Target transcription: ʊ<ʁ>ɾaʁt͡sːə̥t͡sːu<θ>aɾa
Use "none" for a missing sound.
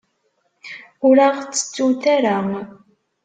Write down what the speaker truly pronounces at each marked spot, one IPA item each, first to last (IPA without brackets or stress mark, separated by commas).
none, θ